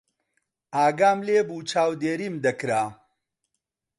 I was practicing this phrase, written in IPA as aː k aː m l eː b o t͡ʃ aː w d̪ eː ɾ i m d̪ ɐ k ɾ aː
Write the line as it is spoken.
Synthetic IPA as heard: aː ɡ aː m l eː b u t͡ʃ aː w d̪ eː ɾ i m d̪ ɐ k ɾ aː